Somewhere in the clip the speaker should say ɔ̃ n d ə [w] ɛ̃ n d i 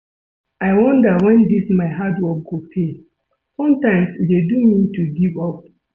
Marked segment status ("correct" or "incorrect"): correct